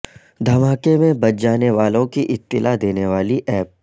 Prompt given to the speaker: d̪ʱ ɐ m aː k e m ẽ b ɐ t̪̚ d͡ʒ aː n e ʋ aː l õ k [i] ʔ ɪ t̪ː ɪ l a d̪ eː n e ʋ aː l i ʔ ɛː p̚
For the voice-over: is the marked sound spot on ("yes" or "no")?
yes